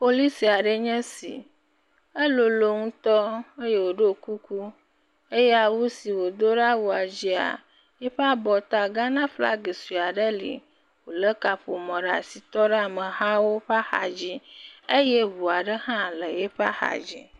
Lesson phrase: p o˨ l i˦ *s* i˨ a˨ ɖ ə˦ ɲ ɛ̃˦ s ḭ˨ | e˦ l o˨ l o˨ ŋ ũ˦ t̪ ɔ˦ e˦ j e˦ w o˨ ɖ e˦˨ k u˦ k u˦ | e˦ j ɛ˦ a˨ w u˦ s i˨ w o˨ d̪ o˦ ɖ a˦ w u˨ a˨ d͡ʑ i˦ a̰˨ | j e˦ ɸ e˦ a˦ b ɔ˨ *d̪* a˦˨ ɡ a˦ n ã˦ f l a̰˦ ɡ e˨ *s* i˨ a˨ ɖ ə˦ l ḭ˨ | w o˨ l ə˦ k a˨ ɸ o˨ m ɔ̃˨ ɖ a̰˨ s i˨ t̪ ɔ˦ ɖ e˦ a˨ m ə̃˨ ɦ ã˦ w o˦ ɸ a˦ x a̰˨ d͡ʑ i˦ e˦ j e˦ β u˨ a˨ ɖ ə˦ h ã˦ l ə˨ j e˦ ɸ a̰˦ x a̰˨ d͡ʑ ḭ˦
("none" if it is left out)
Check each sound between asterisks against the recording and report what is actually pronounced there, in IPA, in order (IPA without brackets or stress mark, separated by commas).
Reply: s, t̪, s